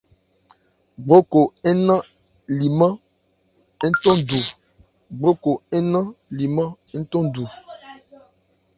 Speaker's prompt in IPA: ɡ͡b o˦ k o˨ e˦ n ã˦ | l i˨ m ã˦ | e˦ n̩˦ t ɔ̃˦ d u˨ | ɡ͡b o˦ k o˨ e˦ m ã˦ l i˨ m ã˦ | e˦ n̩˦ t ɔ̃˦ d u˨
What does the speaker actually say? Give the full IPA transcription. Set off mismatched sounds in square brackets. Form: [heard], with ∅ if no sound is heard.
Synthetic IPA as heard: ɡ͡b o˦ k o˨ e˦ n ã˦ | l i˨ m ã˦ | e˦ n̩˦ t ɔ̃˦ d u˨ | ɡ͡b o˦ k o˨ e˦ [n] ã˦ l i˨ m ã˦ | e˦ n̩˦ t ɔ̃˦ d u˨